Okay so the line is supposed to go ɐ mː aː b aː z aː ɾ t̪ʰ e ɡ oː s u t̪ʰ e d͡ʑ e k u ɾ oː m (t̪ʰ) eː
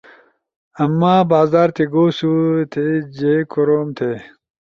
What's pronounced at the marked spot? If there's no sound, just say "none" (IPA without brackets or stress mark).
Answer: t̪ʰ